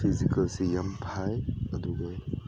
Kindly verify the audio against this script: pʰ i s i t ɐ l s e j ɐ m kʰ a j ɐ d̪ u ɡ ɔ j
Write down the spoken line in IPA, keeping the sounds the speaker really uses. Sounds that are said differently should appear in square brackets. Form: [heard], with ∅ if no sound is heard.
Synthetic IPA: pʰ i [z] i [k] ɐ l s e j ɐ m [pʰ] a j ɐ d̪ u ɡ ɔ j